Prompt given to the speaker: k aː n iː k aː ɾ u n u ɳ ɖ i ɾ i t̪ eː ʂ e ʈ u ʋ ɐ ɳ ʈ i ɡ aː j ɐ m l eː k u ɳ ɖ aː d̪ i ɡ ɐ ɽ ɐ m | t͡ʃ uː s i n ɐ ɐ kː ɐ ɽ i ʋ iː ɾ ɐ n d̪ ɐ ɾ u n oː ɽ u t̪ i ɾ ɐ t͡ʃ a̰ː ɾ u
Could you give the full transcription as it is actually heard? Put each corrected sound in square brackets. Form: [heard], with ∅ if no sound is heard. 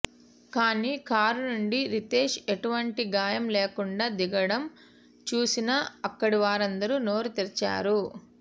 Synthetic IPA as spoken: k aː n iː k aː ɾ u n u ɳ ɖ i ɾ i t̪ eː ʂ e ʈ u ʋ ɐ ɳ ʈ i ɡ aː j ɐ m l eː k u ɳ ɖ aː d̪ i ɡ ɐ ɽ ɐ m | t͡ʃ uː s i n ɐ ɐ kː ɐ ɽ i ʋ [aː] ɾ ɐ n d̪ ɐ ɾ u n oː [ɾ] u t̪ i ɾ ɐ t͡ʃ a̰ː ɾ u